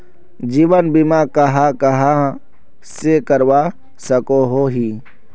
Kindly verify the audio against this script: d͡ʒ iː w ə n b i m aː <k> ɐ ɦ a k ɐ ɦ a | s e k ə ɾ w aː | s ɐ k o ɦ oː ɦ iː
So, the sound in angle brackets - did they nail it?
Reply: yes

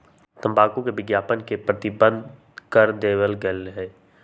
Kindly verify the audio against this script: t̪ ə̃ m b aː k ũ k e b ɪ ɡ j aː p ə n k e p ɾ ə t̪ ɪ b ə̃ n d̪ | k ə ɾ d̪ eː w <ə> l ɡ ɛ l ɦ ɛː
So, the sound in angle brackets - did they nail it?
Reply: yes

